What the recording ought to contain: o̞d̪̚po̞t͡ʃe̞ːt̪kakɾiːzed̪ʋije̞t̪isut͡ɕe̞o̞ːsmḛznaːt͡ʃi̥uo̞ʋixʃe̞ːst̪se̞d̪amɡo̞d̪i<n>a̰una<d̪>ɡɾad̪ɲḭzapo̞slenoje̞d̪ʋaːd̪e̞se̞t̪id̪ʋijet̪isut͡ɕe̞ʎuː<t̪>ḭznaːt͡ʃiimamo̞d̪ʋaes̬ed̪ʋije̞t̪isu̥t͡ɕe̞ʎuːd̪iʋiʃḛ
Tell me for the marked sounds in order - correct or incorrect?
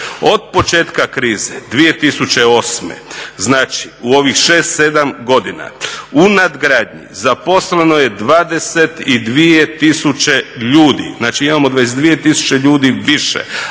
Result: correct, correct, incorrect: d̪

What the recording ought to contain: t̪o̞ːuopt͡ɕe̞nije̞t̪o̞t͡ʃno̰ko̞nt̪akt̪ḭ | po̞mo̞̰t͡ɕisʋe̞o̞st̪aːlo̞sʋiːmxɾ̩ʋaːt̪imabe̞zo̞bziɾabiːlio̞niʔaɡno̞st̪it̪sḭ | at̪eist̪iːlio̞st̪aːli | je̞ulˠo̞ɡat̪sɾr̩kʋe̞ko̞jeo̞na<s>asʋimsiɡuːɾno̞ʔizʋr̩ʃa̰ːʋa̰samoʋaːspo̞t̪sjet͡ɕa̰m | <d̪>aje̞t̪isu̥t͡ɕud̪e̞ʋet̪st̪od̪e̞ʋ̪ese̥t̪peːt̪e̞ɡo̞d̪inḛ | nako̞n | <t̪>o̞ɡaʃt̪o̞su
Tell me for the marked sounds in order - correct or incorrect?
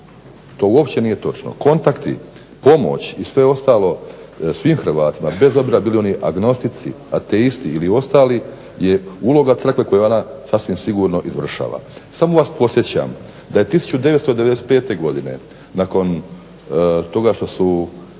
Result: correct, correct, correct

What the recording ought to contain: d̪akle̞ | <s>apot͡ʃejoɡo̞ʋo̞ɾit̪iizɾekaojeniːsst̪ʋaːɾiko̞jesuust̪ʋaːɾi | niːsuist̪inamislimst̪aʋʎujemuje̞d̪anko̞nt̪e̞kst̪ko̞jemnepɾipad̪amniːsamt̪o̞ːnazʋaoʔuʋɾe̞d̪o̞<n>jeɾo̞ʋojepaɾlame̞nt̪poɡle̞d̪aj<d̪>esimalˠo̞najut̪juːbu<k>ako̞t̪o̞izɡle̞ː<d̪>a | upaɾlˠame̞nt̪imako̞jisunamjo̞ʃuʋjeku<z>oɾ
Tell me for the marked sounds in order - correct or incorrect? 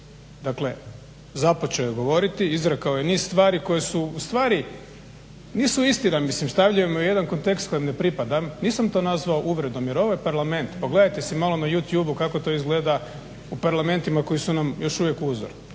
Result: incorrect: z, incorrect: m, incorrect: t̪, correct, correct, correct

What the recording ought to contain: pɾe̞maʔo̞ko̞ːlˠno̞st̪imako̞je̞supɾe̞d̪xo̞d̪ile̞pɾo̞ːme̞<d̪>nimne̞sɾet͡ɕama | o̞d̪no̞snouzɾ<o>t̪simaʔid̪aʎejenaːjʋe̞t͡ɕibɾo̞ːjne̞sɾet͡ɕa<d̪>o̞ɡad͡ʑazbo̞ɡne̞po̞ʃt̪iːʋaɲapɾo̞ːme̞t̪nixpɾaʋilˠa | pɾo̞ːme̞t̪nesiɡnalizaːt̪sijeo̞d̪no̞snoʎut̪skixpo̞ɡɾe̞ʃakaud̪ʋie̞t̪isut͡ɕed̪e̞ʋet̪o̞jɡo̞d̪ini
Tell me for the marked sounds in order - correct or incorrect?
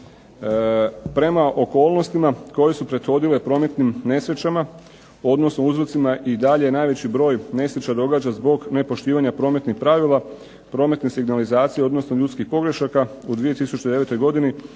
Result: incorrect: t̪, correct, correct

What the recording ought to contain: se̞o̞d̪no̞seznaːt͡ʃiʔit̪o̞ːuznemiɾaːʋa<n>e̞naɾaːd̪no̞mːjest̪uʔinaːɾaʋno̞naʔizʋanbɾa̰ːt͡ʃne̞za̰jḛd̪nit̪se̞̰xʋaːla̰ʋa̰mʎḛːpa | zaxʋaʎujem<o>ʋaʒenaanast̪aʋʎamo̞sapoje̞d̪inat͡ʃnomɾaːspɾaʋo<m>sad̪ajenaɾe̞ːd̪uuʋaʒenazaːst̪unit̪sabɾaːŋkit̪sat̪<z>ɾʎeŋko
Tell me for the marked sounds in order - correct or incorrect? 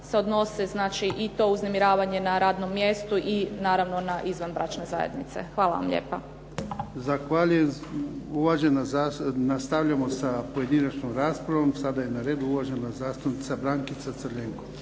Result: incorrect: ɲ, incorrect: u, correct, incorrect: s

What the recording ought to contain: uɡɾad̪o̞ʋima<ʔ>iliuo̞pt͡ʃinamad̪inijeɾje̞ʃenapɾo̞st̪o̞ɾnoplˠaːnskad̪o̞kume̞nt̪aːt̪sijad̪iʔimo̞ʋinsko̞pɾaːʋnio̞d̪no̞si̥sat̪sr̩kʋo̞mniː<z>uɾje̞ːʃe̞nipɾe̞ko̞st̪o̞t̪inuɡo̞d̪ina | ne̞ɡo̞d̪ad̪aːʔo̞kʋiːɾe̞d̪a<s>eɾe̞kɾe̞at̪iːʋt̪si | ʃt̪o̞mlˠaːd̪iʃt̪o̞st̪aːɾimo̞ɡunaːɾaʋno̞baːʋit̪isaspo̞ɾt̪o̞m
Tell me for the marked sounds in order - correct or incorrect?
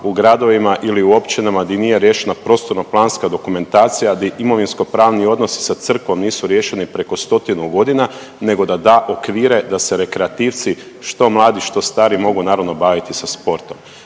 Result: correct, incorrect: s, correct

